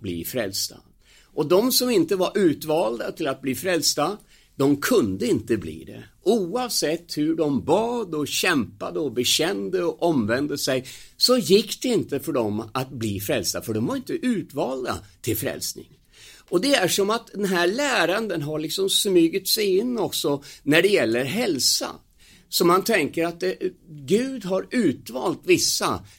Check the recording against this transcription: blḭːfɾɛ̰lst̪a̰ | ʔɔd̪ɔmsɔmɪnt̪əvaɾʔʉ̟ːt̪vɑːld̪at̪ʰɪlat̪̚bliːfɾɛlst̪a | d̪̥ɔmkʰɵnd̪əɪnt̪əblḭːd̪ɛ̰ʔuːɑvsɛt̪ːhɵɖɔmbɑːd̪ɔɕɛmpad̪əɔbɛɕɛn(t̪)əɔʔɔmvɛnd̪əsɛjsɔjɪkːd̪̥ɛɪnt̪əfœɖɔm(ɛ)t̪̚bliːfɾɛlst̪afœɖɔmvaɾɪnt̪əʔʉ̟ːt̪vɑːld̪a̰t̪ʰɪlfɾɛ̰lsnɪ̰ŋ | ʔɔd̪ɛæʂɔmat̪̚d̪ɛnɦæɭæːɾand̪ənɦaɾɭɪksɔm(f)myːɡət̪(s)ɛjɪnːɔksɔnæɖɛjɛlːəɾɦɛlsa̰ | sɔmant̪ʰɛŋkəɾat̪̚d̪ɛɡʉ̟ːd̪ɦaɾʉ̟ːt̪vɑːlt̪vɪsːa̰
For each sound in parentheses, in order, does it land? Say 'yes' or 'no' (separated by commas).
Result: no, no, no, yes